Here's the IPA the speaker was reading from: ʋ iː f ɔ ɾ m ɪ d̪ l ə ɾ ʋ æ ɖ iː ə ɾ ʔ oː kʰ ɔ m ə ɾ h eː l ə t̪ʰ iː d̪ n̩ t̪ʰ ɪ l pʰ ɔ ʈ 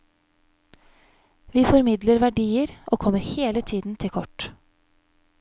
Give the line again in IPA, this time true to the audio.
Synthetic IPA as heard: ʋ iː f ɔ ɾ m ɪ d̪ l ə ɾ ʋ æ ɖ iː ə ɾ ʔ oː kʰ ɔ m ə ɾ h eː l ə t̪ʰ iː d̪ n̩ t̪ʰ ɪ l kʰ ɔ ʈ